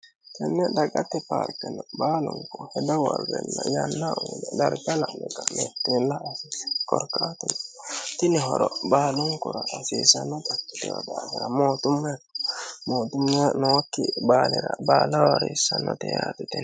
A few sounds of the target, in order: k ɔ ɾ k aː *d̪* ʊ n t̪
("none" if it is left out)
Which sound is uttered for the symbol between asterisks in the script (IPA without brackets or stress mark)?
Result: t̪